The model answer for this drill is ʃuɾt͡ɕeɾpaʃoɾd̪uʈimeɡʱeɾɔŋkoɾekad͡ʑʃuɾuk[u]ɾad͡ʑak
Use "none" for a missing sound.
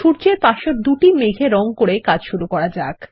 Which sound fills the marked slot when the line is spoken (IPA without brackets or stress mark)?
ɔ